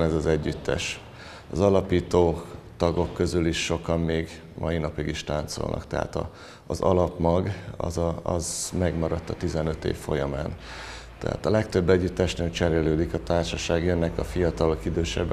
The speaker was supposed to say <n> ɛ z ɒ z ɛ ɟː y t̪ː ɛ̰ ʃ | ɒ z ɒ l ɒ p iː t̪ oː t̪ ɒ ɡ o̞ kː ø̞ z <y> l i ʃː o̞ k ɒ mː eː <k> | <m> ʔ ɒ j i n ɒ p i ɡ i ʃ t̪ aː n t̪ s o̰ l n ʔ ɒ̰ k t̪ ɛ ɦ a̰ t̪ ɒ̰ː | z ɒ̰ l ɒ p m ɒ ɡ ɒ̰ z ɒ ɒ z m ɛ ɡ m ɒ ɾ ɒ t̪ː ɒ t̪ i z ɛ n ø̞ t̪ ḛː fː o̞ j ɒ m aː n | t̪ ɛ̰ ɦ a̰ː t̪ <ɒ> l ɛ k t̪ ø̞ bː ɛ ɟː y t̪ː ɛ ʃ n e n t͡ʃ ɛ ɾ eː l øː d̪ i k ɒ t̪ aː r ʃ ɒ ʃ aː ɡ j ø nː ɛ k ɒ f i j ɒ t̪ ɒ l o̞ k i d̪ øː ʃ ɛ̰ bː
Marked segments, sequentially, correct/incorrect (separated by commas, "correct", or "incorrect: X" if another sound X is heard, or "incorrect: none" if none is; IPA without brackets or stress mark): correct, correct, incorrect: ɡ, correct, correct